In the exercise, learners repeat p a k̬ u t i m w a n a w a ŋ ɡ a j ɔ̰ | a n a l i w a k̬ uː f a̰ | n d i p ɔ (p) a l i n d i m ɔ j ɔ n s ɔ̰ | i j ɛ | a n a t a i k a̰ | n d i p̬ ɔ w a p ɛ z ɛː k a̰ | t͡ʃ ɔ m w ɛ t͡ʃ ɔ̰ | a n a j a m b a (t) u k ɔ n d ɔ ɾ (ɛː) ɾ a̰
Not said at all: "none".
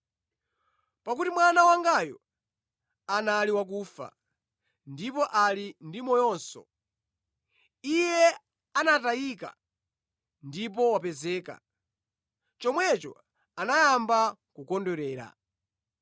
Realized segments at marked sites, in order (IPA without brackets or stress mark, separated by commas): ʔ, k, ɛː